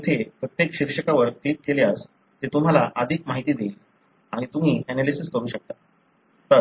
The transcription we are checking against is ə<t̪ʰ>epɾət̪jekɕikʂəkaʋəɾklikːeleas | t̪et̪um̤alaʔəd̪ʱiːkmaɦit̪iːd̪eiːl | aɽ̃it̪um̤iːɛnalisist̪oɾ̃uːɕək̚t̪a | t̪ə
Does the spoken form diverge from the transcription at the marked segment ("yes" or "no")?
no